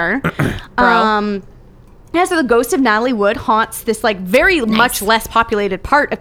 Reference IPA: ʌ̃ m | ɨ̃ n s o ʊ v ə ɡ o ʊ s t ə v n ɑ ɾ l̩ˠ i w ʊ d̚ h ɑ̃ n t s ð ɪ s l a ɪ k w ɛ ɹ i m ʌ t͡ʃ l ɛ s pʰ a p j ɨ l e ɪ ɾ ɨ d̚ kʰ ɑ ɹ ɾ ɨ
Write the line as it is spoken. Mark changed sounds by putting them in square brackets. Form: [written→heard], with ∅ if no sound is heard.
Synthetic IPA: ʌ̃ m | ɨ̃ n s o ʊ [v→ð] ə ɡ o ʊ s t [ə→ʌ] v n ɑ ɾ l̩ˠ i w ʊ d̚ h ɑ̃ n t s ð ɪ s l a ɪ k [w→v] ɛ ɹ i m ʌ t͡ʃ l ɛ s pʰ [a→ɑ] p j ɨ l e ɪ ɾ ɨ d̚ [kʰ→pʰ] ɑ ɹ ɾ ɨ